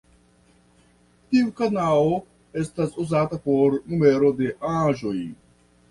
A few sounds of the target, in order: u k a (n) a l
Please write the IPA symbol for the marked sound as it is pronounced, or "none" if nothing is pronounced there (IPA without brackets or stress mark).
n